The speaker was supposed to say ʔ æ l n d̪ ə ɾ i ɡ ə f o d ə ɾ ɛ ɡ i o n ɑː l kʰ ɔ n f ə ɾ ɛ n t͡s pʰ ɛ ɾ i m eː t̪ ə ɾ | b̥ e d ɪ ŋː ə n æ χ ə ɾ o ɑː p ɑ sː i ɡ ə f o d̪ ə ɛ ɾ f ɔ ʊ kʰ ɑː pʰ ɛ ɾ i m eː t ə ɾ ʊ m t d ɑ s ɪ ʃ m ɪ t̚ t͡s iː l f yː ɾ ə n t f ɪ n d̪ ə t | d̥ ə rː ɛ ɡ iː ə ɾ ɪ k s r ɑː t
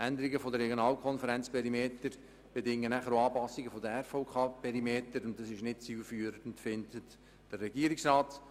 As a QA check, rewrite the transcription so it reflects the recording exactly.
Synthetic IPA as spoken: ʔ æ n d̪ ə ɾ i ɡ ə f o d ə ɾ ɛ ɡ j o n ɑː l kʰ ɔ n f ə ɾ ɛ n t͡s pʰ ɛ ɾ i m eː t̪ ə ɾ | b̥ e d ɪ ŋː ə n æ χ ə ɾ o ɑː p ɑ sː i ɡ ə f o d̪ ə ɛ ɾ f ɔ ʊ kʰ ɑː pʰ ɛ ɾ i m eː t ə ɾ ʊ n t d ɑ s ɪ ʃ n ɪ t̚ t͡s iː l f yː ɾ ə n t f ɪ n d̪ ə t | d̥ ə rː ɛ ɡ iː ə ɾ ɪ k s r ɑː t